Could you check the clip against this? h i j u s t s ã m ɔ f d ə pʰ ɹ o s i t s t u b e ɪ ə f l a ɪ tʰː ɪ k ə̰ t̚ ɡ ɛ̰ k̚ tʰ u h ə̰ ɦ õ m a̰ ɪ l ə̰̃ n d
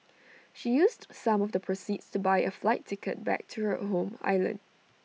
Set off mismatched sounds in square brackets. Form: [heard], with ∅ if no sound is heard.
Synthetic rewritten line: [ʃ] i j u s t s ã m ɔ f d ə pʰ ɹ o s i t s t u b [a] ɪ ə f l a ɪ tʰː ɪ k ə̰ t̚ [b] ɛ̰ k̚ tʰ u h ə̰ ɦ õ m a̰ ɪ l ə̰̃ n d